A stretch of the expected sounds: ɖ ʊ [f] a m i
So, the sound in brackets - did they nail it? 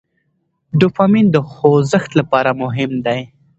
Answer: yes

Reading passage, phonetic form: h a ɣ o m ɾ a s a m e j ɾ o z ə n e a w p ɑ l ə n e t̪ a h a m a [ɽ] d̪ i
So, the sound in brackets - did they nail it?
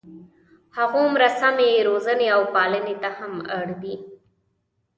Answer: yes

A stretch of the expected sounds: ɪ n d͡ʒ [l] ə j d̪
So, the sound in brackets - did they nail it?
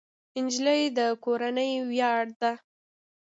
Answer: yes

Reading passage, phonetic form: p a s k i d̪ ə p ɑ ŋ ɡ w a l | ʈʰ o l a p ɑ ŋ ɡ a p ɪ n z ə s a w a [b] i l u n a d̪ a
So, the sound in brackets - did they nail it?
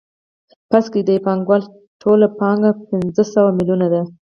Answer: no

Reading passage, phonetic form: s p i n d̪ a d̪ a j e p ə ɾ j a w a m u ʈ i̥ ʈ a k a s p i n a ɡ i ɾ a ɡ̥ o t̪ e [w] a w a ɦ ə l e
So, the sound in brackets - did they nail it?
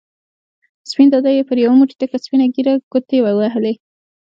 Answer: yes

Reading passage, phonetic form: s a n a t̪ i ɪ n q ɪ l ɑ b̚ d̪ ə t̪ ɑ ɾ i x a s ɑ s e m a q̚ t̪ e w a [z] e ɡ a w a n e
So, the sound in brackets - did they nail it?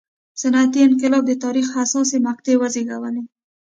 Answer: yes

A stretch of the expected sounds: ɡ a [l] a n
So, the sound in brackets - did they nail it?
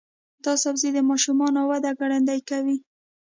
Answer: no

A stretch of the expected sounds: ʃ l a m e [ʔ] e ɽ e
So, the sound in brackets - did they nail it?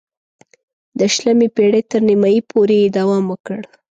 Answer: no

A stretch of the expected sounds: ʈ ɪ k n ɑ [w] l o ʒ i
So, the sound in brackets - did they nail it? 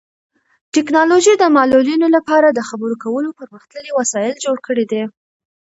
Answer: no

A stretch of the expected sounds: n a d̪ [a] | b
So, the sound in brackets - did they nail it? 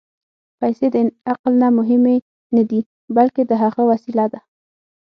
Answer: no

